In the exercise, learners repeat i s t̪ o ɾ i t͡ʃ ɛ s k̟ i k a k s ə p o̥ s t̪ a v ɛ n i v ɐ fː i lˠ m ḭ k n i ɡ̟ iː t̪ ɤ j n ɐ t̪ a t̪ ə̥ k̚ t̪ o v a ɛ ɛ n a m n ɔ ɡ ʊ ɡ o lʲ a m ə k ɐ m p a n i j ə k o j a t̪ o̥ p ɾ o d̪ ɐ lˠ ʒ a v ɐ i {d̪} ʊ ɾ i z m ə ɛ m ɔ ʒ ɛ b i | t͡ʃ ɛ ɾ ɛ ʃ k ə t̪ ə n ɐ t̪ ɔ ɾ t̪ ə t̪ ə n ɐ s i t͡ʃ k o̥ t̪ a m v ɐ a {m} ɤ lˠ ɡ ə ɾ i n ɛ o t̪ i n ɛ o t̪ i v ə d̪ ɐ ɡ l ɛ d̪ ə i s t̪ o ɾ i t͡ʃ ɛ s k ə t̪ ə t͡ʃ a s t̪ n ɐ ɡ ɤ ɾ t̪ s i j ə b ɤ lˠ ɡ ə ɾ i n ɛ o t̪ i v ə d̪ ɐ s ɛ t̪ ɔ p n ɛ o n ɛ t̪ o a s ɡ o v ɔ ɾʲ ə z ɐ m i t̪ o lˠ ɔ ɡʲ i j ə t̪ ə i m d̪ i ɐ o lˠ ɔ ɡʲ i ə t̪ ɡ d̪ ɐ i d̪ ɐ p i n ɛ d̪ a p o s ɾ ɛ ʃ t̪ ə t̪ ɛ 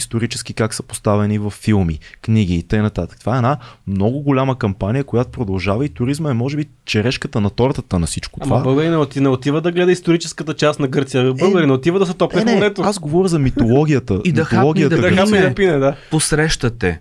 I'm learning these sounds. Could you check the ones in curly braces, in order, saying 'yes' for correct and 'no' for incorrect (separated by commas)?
no, no